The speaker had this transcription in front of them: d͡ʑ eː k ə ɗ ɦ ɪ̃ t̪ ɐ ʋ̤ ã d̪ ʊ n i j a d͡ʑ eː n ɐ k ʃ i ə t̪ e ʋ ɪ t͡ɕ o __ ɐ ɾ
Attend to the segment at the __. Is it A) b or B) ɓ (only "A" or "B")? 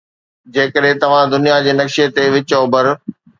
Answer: A